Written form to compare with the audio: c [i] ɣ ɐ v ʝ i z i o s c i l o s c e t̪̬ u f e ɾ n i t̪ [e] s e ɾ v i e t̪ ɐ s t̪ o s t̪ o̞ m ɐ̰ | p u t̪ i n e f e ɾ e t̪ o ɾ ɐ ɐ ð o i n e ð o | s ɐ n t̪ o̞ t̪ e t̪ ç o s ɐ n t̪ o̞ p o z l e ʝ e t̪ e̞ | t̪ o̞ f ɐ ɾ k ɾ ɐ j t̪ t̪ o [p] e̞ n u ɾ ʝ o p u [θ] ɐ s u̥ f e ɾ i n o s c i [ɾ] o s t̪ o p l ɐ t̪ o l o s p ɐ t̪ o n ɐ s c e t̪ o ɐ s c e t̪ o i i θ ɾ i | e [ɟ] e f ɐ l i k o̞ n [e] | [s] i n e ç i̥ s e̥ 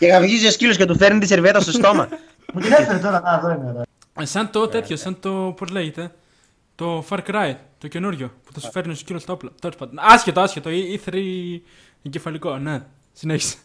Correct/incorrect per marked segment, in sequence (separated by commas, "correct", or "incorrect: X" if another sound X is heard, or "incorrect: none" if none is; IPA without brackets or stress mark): incorrect: e, incorrect: i, incorrect: c, correct, incorrect: l, correct, correct, correct